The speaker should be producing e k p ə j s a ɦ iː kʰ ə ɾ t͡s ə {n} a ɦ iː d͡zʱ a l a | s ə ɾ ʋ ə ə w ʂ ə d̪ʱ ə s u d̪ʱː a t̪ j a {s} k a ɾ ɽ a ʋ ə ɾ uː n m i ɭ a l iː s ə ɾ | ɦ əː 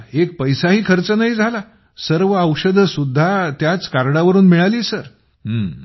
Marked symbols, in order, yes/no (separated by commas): yes, no